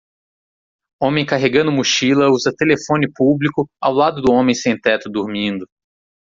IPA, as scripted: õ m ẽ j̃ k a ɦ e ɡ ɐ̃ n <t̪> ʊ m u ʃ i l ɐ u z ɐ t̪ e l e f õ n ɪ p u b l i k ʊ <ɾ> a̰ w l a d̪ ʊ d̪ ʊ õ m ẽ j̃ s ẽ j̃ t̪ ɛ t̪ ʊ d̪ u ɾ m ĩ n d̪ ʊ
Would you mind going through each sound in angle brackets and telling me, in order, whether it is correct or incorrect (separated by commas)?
incorrect, incorrect